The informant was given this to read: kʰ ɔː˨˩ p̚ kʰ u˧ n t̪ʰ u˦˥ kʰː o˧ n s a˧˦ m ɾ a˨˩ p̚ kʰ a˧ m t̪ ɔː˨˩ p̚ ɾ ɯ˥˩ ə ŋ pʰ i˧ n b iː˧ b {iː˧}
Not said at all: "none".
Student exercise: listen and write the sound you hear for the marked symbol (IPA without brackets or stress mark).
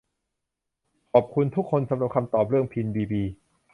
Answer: iː˧